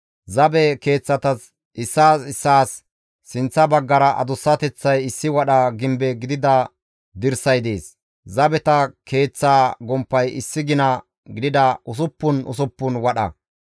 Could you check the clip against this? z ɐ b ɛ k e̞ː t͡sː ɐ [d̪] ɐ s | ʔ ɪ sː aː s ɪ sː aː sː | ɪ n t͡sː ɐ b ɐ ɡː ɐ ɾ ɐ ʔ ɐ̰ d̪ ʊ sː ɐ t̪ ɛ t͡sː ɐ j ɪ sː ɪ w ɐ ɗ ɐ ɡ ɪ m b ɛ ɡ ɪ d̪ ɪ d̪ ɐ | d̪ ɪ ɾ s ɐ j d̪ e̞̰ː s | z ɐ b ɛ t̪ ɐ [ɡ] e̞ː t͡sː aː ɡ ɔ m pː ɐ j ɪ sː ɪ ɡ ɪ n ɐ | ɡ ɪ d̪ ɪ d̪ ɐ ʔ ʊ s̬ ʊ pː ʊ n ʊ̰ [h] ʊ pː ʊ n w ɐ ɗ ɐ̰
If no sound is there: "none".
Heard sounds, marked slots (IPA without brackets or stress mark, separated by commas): t̪, k, s